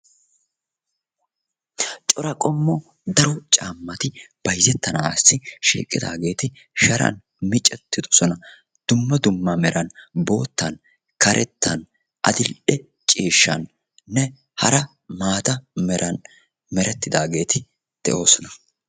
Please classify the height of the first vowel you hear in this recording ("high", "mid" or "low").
mid